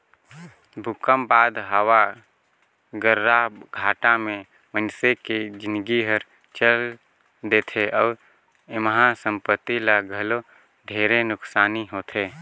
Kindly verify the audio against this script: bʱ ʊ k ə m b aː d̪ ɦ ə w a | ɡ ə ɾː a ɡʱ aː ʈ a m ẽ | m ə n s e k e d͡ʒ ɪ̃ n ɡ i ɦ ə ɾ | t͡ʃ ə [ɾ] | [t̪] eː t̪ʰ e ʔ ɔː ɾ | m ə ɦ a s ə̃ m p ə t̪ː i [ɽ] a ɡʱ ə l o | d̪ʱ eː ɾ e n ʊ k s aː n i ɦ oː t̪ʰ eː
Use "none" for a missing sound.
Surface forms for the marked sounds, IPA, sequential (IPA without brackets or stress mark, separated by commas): l, d̪, l